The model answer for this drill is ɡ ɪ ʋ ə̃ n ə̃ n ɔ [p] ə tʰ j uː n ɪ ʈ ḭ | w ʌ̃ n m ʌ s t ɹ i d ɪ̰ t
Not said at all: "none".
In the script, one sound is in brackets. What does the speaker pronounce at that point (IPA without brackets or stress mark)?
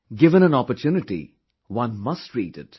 p